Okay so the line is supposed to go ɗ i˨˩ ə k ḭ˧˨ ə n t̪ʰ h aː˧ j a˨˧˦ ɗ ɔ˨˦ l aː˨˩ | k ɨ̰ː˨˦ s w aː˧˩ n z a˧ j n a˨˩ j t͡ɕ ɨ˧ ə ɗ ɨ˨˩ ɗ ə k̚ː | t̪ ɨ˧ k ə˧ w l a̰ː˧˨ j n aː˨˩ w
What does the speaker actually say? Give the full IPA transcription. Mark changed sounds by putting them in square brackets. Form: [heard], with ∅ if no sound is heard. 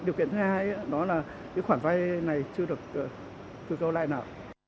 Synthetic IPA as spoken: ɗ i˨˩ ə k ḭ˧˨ ə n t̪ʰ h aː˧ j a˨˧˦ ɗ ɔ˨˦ l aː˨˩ | k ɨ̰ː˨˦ [x] w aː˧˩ n [v] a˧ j n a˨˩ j t͡ɕ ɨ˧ ə ɗ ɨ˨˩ [∅] ə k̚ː | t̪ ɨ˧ k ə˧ w l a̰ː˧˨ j n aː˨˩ w